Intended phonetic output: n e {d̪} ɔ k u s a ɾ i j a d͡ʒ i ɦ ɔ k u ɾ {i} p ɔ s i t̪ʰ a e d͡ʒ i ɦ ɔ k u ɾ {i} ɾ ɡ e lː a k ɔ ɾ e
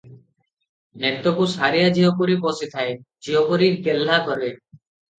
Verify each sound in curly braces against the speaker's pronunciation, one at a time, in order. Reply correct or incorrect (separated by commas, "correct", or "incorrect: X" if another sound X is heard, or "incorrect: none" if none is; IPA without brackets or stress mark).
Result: incorrect: t̪, correct, correct